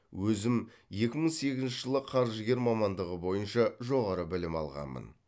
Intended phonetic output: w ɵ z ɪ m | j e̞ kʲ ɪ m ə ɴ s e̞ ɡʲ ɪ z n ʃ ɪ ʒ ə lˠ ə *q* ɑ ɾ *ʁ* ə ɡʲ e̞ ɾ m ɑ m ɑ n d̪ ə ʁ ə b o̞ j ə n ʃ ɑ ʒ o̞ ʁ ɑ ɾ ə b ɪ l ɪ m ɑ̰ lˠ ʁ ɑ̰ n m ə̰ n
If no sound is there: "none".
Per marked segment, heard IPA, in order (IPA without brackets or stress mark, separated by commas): qʰ, ʒ